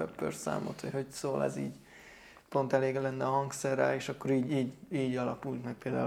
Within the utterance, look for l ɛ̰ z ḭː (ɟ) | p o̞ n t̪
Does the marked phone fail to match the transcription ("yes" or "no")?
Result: no